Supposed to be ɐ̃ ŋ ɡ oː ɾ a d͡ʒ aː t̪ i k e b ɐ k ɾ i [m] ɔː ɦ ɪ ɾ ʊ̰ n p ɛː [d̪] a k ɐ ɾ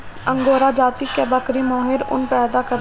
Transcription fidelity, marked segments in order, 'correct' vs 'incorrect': correct, correct

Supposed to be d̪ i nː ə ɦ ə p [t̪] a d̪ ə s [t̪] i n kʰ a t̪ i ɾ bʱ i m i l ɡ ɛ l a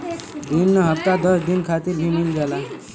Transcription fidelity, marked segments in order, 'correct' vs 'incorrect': correct, incorrect: d̪

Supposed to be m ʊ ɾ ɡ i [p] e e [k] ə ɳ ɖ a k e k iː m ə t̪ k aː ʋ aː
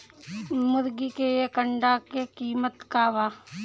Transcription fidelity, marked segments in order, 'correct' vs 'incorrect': incorrect: k, correct

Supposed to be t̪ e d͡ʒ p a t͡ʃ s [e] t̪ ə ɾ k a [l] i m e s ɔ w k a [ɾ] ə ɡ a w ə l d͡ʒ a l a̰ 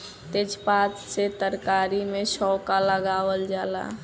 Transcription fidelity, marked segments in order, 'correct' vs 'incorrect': correct, incorrect: ɾ, incorrect: l

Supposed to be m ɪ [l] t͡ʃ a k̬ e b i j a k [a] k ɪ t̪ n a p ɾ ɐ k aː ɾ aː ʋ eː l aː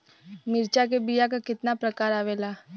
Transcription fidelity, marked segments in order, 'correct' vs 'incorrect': incorrect: ɾ, correct

